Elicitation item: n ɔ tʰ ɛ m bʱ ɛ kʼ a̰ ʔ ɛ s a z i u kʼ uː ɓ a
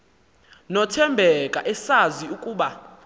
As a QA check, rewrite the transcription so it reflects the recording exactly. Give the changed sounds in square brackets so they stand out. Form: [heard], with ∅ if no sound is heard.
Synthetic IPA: n ɔ tʰ ɛ m bʱ ɛ kʼ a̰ ʔ ɛ s a z i u kʼ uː ɓ a